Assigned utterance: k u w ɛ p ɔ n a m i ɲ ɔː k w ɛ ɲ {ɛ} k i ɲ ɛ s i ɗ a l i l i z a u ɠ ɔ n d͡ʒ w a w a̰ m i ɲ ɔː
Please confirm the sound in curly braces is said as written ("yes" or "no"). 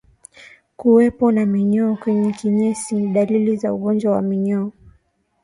yes